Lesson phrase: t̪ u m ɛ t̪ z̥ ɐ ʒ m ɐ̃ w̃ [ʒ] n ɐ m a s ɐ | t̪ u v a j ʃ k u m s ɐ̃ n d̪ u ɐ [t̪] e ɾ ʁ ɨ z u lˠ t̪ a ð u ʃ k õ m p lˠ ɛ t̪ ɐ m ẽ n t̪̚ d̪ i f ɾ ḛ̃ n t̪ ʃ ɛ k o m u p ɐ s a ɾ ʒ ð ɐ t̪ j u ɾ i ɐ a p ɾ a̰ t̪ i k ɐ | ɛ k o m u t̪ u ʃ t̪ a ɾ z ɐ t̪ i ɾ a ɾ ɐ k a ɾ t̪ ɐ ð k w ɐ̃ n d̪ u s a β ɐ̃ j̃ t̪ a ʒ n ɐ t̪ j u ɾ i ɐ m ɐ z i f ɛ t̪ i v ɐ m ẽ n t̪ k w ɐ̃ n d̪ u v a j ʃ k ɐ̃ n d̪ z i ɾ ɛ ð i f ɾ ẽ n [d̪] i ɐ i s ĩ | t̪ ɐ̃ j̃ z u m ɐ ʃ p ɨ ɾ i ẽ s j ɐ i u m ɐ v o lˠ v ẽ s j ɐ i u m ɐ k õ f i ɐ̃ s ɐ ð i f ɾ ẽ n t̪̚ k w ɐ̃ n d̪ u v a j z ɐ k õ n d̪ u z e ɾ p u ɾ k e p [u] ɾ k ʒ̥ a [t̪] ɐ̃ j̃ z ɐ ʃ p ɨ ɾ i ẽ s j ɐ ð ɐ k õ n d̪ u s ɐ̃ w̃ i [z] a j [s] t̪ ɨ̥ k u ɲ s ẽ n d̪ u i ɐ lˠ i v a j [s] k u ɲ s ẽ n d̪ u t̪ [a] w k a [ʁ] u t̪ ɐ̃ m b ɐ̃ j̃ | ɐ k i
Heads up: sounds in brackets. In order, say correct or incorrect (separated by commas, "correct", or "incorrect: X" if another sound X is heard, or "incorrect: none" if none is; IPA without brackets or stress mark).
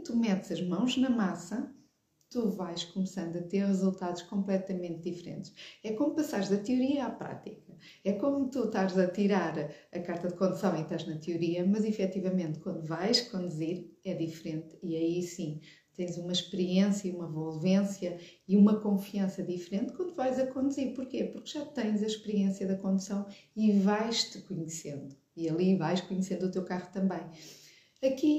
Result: correct, correct, incorrect: t̪, correct, correct, incorrect: v, incorrect: ʃ, incorrect: ʃ, incorrect: e, correct